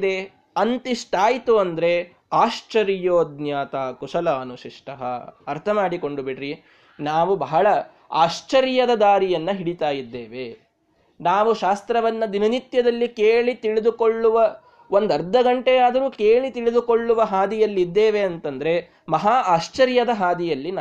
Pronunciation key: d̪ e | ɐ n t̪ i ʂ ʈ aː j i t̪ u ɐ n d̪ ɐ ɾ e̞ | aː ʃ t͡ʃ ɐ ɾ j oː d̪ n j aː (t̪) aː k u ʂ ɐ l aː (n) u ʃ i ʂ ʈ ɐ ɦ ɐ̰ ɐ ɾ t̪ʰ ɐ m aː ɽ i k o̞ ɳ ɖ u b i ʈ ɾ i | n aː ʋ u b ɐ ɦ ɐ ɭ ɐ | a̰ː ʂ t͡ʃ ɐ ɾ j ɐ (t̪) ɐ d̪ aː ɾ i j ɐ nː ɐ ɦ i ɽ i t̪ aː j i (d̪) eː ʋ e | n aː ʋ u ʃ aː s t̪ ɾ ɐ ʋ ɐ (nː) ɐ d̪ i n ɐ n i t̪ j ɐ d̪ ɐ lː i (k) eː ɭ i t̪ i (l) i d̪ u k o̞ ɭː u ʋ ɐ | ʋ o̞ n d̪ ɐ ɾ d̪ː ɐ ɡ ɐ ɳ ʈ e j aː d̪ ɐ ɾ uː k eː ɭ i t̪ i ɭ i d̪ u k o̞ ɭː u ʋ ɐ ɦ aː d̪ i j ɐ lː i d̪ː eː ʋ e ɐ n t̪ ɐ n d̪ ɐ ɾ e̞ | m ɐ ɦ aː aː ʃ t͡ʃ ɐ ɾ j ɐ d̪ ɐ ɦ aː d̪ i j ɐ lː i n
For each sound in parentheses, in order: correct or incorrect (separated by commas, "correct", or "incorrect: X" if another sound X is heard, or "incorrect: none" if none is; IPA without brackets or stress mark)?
correct, correct, incorrect: d̪, incorrect: d̪ː, correct, correct, incorrect: ɭ